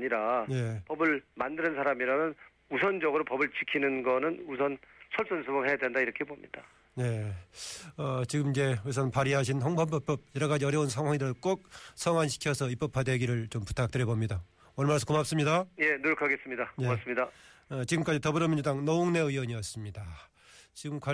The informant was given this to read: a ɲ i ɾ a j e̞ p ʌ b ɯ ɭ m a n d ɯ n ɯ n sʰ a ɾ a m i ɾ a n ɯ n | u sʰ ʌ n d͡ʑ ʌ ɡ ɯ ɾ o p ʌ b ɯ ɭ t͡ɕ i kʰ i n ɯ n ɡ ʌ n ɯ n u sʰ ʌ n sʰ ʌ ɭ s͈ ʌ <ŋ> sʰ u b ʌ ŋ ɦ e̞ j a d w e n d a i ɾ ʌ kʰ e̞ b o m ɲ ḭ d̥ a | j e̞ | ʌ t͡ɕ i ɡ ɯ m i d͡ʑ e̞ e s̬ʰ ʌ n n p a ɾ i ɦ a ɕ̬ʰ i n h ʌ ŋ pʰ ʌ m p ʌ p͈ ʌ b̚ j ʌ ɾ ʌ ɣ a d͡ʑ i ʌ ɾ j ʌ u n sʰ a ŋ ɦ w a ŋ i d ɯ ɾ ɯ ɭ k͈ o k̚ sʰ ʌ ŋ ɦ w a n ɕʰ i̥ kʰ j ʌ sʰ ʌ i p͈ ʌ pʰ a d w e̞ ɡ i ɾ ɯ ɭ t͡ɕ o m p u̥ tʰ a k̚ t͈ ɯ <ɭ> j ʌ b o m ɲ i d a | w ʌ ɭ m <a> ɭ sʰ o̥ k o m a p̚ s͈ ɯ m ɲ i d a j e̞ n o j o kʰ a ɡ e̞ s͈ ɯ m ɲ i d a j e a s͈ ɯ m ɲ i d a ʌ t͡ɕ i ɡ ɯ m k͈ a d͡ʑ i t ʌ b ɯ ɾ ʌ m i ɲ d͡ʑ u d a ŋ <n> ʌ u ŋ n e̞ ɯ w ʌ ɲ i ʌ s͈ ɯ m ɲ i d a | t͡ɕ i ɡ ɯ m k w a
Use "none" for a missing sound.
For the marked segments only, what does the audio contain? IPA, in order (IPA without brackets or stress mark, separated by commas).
n, ɾ, a, n